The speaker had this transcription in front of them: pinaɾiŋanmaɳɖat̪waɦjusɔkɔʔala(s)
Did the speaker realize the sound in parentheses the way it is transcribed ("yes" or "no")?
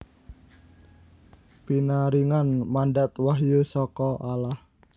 no